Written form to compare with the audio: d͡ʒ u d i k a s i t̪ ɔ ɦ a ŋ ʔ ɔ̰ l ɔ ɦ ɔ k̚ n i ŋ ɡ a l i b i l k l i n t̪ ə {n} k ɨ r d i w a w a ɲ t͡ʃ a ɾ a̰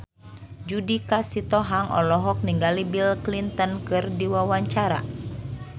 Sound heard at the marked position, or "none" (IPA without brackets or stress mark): n